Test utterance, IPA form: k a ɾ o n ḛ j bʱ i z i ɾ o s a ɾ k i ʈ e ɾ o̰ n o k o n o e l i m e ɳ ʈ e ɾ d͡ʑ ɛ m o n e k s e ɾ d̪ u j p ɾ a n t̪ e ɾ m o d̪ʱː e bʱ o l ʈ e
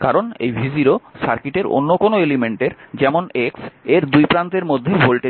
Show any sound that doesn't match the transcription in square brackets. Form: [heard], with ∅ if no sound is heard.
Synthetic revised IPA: k a ɾ o n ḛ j bʱ i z i ɾ o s a ɾ k i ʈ e ɾ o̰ [nː] o k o n o e l i m e ɳ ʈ e ɾ d͡ʑ ɛ m o n e k s e ɾ d̪ u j p ɾ a n t̪ e ɾ m o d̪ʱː e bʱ o l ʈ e

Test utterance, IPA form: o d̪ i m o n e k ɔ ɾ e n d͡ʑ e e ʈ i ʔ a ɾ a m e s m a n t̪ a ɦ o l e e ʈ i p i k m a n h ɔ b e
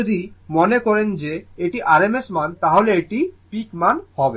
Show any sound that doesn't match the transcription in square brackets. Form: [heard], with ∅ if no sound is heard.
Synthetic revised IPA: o d̪ i m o n e k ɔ ɾ e n d͡ʑ e e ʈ i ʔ a ɾ [e] m e s m a n t̪ a ɦ o l e e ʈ i p i k m a n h ɔ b e

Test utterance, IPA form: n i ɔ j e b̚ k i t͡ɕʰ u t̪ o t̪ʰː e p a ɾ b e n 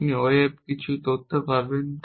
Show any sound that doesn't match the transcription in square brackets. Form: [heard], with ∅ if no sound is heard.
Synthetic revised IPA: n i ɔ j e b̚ k i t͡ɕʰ u t̪ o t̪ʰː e p a ɾ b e n

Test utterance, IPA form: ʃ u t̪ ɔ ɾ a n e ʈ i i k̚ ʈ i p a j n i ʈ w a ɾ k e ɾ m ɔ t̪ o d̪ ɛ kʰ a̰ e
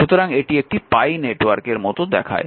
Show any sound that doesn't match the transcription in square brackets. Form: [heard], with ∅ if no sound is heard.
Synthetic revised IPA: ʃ u t̪ [o] ɾ a [ŋ] e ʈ i [e] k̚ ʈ i p a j n [e] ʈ w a ɾ k e ɾ m ɔ t̪ o d̪ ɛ kʰ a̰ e

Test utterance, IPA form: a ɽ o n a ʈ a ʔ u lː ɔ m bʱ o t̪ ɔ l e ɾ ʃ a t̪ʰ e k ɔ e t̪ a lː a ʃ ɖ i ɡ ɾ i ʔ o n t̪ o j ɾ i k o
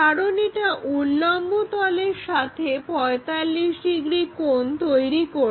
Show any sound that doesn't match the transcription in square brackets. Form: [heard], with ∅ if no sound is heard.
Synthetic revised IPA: a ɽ o n [i] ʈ a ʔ u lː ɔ m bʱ o t̪ ɔ l e ɾ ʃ a t̪ʰ e [p] ɔ e t̪ a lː [i] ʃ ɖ i ɡ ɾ i [k] o n t̪ o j ɾ i k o

